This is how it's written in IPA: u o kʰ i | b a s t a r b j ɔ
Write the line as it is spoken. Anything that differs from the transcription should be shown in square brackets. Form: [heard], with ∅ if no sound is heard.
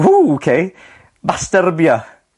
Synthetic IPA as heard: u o kʰ [e] | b a s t [ə] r b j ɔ

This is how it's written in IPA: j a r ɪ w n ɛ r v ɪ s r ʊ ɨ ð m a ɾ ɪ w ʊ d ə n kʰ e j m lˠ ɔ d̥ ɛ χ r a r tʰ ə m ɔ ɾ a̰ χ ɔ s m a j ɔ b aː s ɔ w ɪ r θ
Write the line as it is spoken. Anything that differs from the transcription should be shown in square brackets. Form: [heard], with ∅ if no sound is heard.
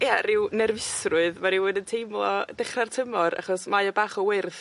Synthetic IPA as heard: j a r ɪ w n ɛ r v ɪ s r ʊ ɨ ð m a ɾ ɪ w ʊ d ə n [tʰ] e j m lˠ ɔ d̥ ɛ χ r a r tʰ ə m ɔ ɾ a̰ χ ɔ s m a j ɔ b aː [χ] ɔ w ɪ r θ

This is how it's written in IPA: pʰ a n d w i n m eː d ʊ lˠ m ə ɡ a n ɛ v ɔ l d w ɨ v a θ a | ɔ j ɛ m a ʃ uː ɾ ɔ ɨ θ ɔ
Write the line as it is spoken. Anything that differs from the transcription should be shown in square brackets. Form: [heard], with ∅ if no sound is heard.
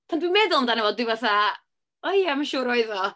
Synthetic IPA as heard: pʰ a n d w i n m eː d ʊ lˠ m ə [d] a n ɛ v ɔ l d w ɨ v a θ a | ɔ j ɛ m a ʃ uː ɾ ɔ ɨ [ð] ɔ

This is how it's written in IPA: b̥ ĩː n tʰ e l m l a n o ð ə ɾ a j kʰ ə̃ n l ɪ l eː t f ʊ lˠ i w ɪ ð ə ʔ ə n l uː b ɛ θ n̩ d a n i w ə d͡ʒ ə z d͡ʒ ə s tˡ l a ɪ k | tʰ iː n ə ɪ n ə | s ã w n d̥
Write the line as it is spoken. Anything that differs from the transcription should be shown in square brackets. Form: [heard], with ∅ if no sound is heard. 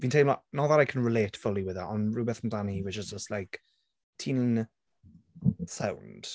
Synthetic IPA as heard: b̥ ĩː n tʰ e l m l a n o ð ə ɾ a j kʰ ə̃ n [ɹ] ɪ l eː t f ʊ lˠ i w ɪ ð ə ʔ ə n [ɹ] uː b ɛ θ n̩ d a n i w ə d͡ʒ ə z d͡ʒ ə s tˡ l a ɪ k | tʰ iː n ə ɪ n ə | s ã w n d̥

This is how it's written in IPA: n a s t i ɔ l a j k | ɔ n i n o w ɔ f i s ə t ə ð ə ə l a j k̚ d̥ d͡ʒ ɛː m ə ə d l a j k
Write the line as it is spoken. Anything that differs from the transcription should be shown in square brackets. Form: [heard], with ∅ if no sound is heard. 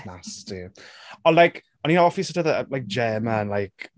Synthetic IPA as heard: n a s t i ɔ l a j k | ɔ n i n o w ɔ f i s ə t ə ð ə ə l a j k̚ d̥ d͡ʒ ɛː m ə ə [n] l a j k

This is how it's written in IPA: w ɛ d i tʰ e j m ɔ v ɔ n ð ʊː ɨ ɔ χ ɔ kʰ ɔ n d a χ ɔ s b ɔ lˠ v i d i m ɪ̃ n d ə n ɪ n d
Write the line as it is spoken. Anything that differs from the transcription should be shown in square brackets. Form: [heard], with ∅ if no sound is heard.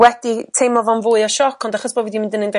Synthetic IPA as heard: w ɛ d i tʰ e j m ɔ v ɔ n [v] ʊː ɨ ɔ [ʃ] ɔ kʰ ɔ n d a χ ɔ s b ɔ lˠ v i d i m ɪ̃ n d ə n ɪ n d

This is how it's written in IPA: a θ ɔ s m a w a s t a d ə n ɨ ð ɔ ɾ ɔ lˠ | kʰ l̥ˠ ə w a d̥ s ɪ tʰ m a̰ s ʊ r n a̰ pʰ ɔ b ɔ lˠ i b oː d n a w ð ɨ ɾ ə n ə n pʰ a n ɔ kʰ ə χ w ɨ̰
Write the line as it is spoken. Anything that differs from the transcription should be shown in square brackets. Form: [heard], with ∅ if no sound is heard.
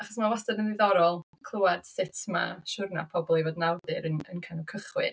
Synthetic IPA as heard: a [χ] ɔ s m a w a s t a d ə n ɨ ð ɔ ɾ ɔ lˠ | kʰ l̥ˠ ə w a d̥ s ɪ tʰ m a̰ [ʃ] ʊ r n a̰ pʰ ɔ b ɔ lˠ i [v] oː d n a w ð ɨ ɾ ə n ə n [kʰ] a n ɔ kʰ ə χ w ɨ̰

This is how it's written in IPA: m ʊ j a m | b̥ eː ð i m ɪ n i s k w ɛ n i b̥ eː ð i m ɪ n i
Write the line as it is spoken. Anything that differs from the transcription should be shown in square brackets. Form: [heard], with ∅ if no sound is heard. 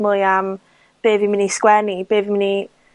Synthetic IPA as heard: m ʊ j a m | b̥ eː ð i m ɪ n i s k w ɛ n i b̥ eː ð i m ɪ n i

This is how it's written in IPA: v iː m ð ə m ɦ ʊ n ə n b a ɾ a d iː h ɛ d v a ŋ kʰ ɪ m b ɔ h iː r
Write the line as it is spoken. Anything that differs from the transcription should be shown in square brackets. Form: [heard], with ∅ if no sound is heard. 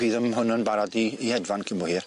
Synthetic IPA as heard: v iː [∅] ð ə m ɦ ʊ n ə n b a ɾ a d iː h ɛ d v a [n] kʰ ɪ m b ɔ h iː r

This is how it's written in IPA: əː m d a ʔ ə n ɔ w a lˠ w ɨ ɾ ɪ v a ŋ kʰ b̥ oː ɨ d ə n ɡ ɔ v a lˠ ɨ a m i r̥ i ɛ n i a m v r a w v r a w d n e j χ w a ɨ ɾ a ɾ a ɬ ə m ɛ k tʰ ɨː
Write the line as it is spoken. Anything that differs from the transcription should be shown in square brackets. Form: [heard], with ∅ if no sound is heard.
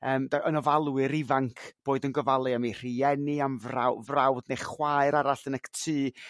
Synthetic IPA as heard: əː m d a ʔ ə n ɔ [v] a lˠ w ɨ ɾ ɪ v a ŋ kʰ b̥ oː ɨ d ə n ɡ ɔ v a lˠ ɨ a m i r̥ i ɛ n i a m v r a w v r a w d n e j χ w a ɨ ɾ a ɾ a ɬ ə [n] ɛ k tʰ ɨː

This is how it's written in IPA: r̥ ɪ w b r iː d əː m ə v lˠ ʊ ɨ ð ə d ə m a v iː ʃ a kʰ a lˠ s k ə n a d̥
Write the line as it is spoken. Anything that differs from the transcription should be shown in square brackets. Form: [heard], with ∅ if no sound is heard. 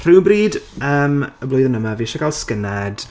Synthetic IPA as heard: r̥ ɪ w b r iː d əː m ə [b] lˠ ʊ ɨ ð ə [n] ə m a v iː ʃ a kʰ a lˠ s k ə n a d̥

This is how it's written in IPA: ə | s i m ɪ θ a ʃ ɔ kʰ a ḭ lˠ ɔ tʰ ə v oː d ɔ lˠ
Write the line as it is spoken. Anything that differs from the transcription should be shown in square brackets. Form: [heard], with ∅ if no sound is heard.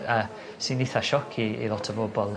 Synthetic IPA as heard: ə | s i [n] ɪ θ a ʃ ɔ kʰ [i] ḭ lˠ ɔ tʰ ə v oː [b] ɔ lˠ

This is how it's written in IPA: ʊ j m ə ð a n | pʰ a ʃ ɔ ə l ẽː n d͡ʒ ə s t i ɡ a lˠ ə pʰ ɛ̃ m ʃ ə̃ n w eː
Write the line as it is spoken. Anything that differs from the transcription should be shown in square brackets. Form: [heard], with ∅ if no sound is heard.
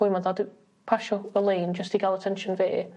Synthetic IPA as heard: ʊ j m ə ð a [d] | pʰ a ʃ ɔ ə l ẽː n d͡ʒ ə s t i ɡ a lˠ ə [tʰ] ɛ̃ [n] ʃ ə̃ n [v] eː

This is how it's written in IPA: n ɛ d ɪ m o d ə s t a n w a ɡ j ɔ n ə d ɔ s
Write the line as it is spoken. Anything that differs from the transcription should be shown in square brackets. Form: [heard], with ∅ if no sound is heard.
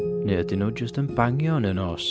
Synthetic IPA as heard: n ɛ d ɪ [n] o [d͡ʒ] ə s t [ə] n [b] a [ŋ] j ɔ n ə [n] ɔ s

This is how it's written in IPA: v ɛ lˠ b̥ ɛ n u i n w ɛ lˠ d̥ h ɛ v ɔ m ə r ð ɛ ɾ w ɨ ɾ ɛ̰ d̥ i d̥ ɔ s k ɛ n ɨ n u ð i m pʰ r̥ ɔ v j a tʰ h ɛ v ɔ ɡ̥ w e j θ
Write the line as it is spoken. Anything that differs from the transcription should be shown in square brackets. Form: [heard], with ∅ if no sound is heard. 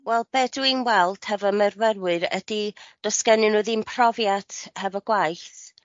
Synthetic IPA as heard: [w] ɛ lˠ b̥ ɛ [d] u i n w ɛ lˠ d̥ h ɛ v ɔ m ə r [v] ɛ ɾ w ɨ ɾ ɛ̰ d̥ i d̥ ɔ s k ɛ n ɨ n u ð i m pʰ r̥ ɔ v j a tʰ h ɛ v ɔ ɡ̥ w [a] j θ

